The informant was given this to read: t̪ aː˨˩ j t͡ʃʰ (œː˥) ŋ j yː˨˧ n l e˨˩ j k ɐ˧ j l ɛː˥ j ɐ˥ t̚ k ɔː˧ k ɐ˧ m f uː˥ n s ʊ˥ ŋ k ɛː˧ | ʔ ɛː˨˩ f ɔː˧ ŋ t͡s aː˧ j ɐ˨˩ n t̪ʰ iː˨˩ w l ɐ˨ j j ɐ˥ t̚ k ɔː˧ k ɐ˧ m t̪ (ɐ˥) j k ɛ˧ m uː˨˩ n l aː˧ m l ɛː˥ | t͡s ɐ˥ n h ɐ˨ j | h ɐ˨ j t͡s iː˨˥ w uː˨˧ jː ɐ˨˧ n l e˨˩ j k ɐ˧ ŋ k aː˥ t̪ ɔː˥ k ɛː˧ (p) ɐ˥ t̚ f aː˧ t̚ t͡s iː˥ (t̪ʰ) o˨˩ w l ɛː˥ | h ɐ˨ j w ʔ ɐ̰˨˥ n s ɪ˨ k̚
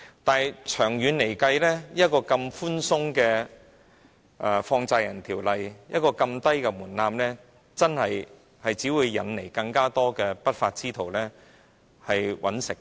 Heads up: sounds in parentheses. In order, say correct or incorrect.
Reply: incorrect: œː˨˩, correct, correct, correct

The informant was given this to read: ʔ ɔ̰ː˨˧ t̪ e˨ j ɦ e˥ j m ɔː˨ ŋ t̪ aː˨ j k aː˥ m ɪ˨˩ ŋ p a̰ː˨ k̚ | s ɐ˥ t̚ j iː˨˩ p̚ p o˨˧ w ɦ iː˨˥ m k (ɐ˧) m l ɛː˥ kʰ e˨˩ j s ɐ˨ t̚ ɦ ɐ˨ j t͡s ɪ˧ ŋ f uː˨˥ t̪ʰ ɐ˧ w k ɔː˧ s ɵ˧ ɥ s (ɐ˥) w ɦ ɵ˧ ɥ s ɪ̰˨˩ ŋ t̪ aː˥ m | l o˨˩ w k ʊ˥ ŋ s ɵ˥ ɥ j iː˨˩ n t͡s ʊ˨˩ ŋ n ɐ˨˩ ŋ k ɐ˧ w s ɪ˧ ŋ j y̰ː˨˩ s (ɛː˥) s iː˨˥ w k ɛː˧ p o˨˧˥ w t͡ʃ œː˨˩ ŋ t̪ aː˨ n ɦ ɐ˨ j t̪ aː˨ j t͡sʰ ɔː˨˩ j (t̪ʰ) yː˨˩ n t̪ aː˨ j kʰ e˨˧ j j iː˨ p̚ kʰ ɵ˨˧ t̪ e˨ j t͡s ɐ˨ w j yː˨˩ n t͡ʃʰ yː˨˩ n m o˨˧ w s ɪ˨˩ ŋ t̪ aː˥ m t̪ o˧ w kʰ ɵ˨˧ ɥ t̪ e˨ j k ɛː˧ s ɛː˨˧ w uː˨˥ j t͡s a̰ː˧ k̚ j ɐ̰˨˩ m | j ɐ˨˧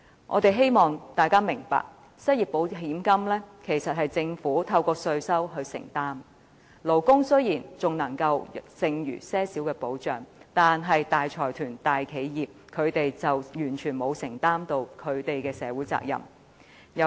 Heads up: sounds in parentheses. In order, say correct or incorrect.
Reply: incorrect: ɐ˥, correct, correct, correct

